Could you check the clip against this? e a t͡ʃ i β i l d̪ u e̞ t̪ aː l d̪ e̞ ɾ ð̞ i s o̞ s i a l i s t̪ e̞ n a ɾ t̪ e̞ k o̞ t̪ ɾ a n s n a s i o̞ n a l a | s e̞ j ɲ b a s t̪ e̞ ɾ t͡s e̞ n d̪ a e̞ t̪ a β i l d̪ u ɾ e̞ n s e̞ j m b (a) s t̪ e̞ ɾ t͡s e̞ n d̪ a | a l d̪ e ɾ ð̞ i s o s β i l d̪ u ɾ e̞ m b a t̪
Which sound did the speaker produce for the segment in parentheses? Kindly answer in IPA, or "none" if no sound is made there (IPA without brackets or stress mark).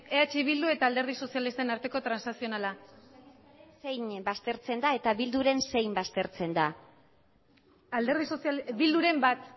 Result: a